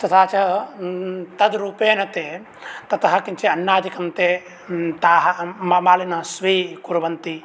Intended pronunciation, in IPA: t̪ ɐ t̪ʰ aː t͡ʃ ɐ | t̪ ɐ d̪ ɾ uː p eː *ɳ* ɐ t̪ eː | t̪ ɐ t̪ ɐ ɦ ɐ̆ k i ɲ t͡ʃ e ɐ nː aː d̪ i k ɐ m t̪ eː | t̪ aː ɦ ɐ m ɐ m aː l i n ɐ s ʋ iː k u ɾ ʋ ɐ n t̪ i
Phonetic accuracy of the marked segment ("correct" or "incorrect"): incorrect